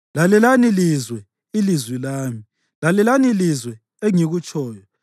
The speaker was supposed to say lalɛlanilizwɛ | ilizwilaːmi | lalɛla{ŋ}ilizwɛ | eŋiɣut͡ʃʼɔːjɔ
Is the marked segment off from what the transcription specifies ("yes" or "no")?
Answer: yes